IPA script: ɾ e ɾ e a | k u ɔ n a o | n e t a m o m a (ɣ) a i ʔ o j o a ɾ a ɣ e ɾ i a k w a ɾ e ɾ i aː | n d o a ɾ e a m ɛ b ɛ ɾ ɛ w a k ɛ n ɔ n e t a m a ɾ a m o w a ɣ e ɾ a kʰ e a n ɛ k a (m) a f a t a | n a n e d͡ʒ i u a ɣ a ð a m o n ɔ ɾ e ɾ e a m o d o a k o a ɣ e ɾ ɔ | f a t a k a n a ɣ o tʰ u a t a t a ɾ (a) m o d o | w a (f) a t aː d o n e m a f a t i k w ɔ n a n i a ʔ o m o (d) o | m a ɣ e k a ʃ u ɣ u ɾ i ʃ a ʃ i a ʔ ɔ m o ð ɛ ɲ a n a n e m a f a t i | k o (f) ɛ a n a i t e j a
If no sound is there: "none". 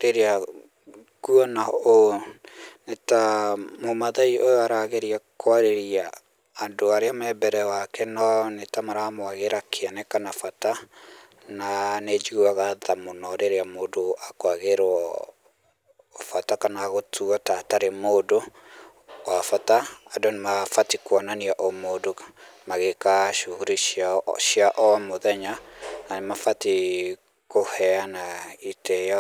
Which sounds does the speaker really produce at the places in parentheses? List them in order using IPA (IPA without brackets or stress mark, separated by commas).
ð, n, e, f, d, h